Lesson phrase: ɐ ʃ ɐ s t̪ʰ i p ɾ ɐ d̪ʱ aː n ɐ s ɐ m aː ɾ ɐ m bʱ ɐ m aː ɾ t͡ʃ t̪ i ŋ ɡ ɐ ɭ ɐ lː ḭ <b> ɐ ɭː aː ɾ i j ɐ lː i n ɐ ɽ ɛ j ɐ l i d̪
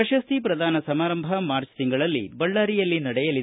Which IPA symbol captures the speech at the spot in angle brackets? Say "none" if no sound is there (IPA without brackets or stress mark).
b